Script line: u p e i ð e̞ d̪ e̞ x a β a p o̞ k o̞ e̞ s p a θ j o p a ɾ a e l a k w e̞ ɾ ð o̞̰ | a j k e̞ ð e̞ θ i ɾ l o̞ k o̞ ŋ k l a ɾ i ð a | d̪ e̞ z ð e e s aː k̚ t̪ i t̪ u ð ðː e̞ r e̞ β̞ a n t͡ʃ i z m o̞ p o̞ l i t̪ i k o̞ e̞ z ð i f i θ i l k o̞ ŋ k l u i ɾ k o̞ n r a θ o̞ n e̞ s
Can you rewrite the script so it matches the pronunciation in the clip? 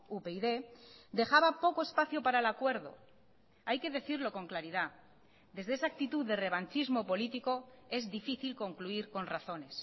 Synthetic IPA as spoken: u p e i ð e̞ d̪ e̞ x a β a p o̞ k o̞ e̞ s p a θ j o p a ɾ a e l a k w e̞ ɾ ð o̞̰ | a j k e̞ ð e̞ θ i ɾ l o̞ k o̞ ŋ k l a ɾ i ð a | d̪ e̞ z ð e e s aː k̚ t̪ i t̪ u ð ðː e̞ r e̞ β̞ a n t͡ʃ i z m o̞ p o̞ l i t̪ i k o̞ e̞ z ð i f i θ i l k o̞ ŋ k l u i ɾ k o̞ n r a θ o̞ n e̞ s